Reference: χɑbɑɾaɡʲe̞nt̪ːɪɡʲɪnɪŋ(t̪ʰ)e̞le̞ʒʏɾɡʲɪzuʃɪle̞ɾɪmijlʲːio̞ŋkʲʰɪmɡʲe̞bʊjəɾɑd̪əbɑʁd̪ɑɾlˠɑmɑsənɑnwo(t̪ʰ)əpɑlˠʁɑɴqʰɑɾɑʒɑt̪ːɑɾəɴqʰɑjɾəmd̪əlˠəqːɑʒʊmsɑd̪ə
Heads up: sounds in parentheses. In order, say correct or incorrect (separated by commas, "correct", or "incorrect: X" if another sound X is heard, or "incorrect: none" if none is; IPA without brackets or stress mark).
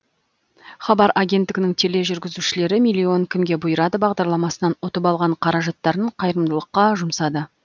correct, incorrect: t̪